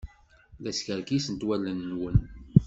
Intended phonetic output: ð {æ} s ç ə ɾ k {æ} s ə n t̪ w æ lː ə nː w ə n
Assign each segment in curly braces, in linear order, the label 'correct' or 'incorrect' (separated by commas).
correct, incorrect